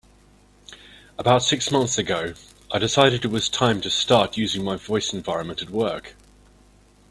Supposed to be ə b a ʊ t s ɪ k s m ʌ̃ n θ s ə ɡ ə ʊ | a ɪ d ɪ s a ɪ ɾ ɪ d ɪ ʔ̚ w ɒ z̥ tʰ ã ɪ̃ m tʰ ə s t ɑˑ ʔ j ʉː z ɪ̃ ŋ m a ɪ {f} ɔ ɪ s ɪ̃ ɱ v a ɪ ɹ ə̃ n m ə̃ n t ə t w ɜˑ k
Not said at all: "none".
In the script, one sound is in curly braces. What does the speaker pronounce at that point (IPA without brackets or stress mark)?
v